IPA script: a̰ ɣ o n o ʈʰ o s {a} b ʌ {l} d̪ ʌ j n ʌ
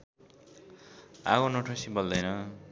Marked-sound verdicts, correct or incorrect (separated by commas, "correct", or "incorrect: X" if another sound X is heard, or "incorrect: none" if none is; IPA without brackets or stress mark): incorrect: i, correct